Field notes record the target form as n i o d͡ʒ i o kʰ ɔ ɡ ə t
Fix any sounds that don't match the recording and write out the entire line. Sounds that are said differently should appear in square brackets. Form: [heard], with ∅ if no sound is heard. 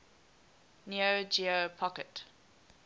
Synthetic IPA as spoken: n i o d͡ʒ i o [pʰ] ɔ [k] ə t